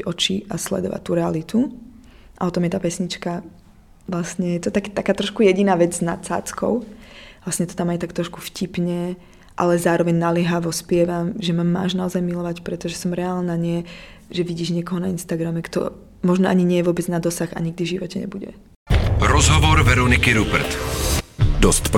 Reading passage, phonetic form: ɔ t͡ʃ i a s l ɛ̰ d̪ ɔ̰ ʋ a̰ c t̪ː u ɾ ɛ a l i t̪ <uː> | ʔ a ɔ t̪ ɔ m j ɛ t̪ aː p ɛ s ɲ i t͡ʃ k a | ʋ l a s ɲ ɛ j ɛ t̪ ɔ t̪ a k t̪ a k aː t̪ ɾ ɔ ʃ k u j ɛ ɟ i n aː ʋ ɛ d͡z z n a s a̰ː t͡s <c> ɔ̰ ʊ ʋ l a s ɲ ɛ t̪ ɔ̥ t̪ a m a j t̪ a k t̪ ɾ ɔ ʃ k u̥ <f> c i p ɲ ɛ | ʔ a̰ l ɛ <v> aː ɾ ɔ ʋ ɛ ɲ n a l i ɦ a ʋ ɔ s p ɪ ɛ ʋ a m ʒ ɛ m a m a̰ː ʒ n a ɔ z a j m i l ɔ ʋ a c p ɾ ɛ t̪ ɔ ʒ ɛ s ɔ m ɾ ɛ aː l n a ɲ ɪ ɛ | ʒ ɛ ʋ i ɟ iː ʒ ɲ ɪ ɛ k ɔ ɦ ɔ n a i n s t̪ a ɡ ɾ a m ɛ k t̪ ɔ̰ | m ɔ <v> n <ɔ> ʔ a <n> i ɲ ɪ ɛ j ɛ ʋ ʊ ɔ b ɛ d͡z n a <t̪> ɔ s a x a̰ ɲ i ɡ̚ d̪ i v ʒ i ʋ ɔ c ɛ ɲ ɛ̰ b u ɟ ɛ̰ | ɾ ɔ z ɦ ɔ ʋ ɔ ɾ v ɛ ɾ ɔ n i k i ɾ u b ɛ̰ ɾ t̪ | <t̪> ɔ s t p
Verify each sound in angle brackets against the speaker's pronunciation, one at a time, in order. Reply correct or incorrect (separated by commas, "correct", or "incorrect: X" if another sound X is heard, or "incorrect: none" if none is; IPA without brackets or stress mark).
incorrect: u, incorrect: k, correct, incorrect: z, incorrect: ʒ, correct, incorrect: ɲ, incorrect: d̪, incorrect: d̪